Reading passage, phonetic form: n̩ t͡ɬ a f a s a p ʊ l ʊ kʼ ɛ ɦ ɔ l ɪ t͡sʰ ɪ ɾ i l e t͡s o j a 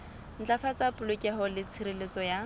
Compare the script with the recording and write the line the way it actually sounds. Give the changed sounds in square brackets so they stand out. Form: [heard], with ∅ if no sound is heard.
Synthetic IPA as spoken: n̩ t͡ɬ a f a [t͡s] a p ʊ l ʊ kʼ ɛ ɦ ɔ l ɪ t͡sʰ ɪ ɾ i l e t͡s [ɔ] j a

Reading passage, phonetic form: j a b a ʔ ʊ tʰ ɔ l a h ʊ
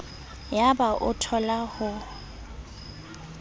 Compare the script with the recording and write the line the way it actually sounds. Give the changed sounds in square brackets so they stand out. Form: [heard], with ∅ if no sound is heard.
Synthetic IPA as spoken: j a b a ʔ ʊ tʰ ɔ l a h ʊ

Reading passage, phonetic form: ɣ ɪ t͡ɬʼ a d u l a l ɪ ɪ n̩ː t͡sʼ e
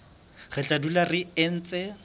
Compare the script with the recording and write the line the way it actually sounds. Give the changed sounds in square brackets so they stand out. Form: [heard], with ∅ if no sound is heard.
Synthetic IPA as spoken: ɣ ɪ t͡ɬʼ a d u l a [r] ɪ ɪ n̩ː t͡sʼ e

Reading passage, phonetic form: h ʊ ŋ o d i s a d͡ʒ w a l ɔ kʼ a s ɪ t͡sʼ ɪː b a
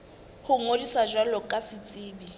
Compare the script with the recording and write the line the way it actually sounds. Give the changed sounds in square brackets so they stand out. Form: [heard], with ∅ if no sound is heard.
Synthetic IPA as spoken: h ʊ ŋ o d i s a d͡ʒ w a l ɔ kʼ a s ɪ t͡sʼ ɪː b [i]

